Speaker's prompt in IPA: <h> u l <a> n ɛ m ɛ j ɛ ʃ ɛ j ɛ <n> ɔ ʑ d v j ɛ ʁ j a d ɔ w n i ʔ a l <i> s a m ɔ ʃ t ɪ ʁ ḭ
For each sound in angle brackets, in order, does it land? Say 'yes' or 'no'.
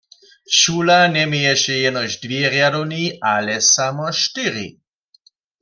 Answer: no, yes, yes, no

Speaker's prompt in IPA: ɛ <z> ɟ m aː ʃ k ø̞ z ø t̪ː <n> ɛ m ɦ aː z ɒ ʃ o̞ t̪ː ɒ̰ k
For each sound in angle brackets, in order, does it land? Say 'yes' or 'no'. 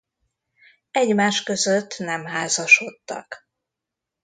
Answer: no, yes

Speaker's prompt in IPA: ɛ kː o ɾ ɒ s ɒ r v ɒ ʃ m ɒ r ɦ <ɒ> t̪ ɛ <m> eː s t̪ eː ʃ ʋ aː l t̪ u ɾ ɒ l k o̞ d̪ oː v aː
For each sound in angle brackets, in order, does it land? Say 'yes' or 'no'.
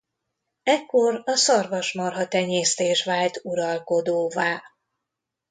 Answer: yes, no

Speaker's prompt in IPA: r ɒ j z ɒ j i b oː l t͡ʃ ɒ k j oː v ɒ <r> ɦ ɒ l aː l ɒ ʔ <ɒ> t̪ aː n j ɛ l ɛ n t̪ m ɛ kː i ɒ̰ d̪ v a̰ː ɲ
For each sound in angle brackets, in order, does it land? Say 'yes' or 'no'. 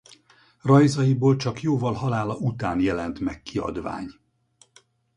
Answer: no, no

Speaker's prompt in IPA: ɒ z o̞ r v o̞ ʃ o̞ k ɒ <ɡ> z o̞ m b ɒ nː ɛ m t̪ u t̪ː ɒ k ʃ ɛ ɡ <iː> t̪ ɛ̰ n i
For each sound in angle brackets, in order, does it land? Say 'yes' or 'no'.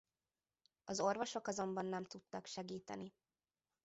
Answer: no, yes

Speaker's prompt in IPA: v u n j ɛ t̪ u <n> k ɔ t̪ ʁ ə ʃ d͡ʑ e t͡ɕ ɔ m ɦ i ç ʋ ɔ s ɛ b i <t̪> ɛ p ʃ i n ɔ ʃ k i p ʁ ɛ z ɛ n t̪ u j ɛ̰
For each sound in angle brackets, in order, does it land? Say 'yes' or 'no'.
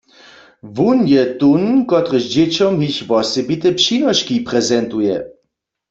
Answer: yes, yes

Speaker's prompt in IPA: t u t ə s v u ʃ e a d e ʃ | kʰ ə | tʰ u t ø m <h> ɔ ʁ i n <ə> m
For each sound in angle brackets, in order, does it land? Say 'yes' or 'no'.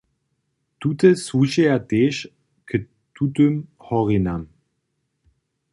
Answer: yes, no

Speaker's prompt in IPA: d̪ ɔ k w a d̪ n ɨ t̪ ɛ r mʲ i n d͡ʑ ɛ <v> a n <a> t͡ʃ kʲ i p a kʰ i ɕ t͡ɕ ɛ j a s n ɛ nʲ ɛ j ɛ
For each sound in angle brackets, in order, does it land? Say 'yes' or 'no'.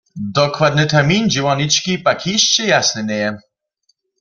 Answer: no, no

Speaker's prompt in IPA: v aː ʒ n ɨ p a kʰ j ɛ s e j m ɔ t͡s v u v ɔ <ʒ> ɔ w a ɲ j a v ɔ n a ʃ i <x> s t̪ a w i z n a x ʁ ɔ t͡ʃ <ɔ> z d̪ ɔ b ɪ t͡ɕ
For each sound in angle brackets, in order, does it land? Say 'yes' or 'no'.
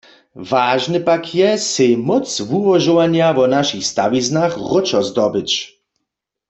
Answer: yes, yes, yes

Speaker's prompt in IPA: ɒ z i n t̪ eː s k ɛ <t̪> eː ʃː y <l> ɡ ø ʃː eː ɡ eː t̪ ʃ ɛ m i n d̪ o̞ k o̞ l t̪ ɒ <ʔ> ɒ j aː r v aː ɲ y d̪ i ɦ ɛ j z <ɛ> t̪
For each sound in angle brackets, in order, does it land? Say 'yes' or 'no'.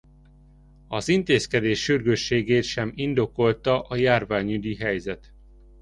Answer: no, no, yes, yes

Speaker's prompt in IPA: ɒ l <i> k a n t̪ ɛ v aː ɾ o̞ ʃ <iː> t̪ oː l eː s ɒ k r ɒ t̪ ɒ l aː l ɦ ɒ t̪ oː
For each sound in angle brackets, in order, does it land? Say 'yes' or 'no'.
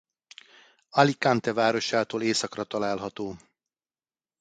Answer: yes, no

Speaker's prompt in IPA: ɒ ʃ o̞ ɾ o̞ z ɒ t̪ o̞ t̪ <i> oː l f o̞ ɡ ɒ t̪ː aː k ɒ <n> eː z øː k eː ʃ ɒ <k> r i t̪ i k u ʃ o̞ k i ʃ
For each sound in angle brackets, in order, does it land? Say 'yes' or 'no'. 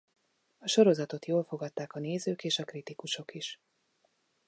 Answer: no, yes, yes

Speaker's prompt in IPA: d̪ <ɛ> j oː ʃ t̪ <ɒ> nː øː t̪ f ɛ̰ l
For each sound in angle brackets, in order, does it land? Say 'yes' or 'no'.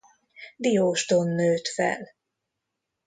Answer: no, no

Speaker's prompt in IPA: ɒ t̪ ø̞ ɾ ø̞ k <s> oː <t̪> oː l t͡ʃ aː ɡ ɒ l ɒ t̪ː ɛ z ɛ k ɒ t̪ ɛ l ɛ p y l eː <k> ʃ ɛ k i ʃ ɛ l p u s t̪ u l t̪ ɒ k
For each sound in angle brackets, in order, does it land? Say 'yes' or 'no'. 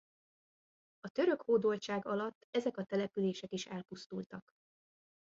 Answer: no, no, no

